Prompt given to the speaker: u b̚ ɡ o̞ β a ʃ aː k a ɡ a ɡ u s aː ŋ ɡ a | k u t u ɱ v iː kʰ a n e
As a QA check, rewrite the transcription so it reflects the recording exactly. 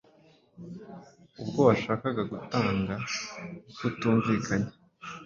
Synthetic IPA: u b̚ ɡ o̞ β a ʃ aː k a ɡ a ɡ u t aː ŋ ɡ a | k u t uː ɱ v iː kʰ a ɲ e